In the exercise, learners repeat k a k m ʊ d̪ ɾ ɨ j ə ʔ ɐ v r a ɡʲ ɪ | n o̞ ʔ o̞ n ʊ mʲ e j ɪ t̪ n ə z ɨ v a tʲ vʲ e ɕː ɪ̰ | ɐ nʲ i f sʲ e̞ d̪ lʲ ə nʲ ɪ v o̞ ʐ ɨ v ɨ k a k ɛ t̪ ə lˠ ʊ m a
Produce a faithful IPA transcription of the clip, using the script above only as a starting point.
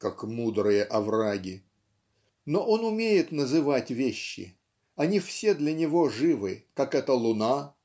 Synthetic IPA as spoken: k a k m u d̪ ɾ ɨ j ə ʔ ɐ v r a ɡʲ ɪ | n o̞ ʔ o̞ n ʊ mʲ e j ɪ t̪ n ə z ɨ v a tʲ vʲ e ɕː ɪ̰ | ɐ nʲ i f sʲ e̞ d̪ lʲ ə nʲ ɪ v o̞ ʐ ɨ v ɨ k a k ɛ t̪ ə lˠ ʊ n a

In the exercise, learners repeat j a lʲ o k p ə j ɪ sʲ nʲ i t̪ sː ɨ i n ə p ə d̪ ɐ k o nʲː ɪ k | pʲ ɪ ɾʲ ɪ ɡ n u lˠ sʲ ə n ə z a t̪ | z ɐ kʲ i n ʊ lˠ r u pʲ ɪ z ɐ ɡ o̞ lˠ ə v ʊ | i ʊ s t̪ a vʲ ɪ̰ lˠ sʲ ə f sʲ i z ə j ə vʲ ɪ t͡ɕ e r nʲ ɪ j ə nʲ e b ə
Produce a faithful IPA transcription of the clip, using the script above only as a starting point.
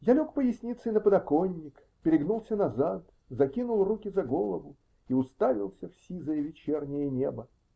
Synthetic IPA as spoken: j a lʲ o k p ə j ɪ sʲ nʲ i t̪ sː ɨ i n ə p ə d̪ ɐ k o nʲː ɪ k | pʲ ɪ ɾʲ ɪ ɡ n u lˠ sʲ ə n ɐ z a t̪ | z ɐ kʲ i n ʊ lˠ r u kʲ ɪ z ɐ ɡ o̞ lˠ ə v ʊ | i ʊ s t̪ a vʲ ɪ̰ lˠ sʲ ə f sʲ i z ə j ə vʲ ɪ t͡ɕ e r nʲ ɪ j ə nʲ e b ə

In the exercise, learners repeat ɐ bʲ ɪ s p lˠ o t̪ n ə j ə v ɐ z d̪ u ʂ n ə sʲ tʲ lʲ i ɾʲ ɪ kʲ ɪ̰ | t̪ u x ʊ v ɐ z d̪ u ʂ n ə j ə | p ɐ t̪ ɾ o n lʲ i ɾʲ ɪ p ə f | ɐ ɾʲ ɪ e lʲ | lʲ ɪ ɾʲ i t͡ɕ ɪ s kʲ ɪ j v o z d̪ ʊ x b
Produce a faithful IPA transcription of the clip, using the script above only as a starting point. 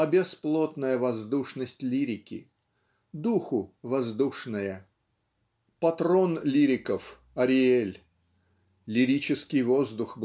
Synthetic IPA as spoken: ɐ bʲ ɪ s p lˠ o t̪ n ə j ə v ɐ z d̪ u ʂ n ə sʲ tʲ lʲ i ɾʲ ɪ kʲ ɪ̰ | d̪ u x ʊ v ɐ z d̪ u ʂ n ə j ə | p ɐ t̪ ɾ o n lʲ i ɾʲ ɪ k ə f | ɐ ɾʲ ɪ e lʲ | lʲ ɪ ɾʲ i t͡ɕ ɪ s kʲ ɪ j v o z d̪ ʊ x b

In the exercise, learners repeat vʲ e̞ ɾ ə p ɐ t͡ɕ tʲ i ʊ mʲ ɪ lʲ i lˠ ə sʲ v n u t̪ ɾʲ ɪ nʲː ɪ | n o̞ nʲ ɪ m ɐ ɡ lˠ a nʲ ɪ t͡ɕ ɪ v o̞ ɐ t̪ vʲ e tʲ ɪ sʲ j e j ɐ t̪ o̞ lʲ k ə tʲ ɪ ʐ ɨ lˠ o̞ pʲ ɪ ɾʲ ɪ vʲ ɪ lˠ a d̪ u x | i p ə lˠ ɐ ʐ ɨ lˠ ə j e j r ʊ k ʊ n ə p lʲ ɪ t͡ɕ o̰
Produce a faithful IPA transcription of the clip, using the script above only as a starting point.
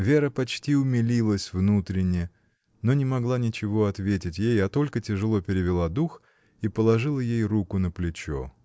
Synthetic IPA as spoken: vʲ e̞ ɾ ə p ɐ t͡ɕ tʲ i ʊ mʲ ɪ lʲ i lˠ ə sʲ v n u t̪ ɾʲ ɪ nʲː ɪ | n o̞ nʲ ɪ m ɐ ɡ lˠ a nʲ ɪ t͡ɕ ɪ v o̞ ɐ t̪ vʲ e tʲ ɪ tʲ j e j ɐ t̪ o̞ lʲ k ə tʲ ɪ ʐ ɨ lˠ o̞ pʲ ɪ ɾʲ ɪ vʲ ɪ lˠ a d̪ u x | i p ə lˠ ɐ ʐ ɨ lˠ ə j e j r u k ʊ n ə p lʲ ɪ t͡ɕ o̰

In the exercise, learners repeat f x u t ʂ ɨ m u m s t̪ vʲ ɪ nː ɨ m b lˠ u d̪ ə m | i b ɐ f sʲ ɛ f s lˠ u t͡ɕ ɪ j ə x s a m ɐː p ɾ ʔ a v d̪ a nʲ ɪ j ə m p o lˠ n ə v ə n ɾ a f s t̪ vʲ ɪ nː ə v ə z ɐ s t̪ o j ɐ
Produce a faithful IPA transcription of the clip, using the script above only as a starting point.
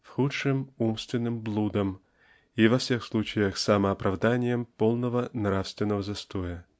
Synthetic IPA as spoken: f x u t ʂ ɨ m u m s t̪ vʲ ɪ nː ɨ m b lˠ u d̪ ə m | i v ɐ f sʲ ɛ x s lˠ u t͡ɕ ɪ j ə x s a m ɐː p ɾ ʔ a v d̪ a nʲ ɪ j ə m p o lˠ n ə v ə n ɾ a f s t̪ vʲ ɪ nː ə v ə z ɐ s t̪ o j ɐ

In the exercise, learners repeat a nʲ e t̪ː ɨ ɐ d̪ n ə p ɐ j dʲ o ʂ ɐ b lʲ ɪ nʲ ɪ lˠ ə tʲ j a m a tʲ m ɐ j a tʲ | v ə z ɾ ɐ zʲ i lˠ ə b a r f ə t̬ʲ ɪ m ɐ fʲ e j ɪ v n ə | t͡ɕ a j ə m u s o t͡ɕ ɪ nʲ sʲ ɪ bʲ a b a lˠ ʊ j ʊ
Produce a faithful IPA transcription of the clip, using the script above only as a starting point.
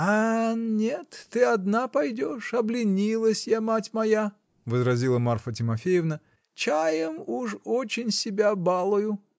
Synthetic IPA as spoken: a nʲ e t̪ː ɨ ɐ d̪ n a p ɐ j dʲ o ʂ ɐ b lʲ ɪ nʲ i lˠ ə sʲ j a m a tʲ m ɐ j a | v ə z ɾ ɐ zʲ i lˠ ə m a r f ə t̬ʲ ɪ m ɐ fʲ e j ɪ v n ə | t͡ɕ a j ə m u ʂ o t͡ɕ ɪ nʲ sʲ ɪ bʲ a b a lˠ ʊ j ʊ

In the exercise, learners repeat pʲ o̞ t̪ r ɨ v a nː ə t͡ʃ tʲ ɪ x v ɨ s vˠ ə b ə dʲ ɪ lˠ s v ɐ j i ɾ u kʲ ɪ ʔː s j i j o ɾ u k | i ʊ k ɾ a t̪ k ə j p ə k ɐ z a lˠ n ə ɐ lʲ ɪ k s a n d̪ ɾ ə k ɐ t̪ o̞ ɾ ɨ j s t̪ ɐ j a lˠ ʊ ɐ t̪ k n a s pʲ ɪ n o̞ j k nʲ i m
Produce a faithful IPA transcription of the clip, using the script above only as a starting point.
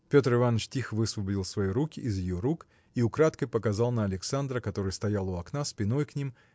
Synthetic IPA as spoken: pʲ o̞ t̪ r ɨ v a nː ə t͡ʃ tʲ i x v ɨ s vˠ ə b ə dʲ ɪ lˠ s v ɐ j i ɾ u kʲ ɪ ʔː z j ɪ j o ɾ u k | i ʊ k ɾ a t̪ k ə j p ə k ɐ z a lˠ n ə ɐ lʲ ɪ k s a n d̪ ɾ ə k ɐ t̪ o̞ ɾ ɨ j s t̪ ɐ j a lˠ ʊ ɐ k n a s pʲ ɪ n o̞ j k nʲ i m

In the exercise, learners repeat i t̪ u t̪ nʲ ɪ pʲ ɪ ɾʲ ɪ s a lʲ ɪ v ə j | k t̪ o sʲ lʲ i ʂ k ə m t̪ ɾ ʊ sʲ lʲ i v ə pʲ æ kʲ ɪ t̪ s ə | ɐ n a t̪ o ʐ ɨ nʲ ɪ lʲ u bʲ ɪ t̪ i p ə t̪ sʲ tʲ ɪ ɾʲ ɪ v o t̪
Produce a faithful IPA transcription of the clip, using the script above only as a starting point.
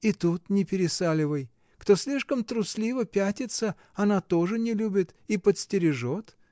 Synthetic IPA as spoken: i t̪ u t̪ nʲ ɪ pʲ ɪ ɾʲ ɪ s a lʲ ɪ v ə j | k t̪ o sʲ lʲ i ʂ k ə m t̪ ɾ ʊ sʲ lʲ i v ə pʲ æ tʲ ɪ t̪ s ə | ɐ n a t̪ o ʐ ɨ nʲ ɪ lʲ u bʲ ɪ t̪ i p ə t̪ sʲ tʲ ɪ ɾʲ ɪ ʐ o t̪

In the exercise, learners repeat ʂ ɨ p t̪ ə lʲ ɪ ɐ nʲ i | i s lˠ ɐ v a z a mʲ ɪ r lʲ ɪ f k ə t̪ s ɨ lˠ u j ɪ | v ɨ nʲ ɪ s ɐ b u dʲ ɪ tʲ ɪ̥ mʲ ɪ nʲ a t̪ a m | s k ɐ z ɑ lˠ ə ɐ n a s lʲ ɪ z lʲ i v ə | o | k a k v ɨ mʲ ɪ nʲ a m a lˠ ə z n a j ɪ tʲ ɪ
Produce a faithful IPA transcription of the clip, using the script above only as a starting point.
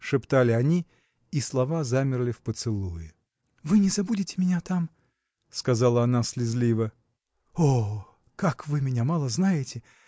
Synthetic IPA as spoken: ʂ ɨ p t̪ a lʲ ɪ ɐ nʲ i | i s lˠ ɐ v a z a mʲ ɪ r lʲ ɪ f p ə t̪ s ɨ lˠ u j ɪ | v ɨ nʲ ɪ z ɐ b u dʲ ɪ tʲ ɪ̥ mʲ ɪ nʲ a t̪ a m | s k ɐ z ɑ lˠ ə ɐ n a s lʲ ɪ z lʲ i v ə | o | k a k v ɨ mʲ ɪ nʲ a m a lˠ ə z n a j ɪ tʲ ɪ

